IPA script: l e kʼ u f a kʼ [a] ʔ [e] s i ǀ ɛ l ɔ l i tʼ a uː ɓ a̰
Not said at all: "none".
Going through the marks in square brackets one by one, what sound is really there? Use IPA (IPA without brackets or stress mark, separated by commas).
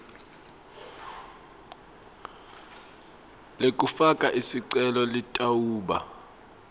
a, i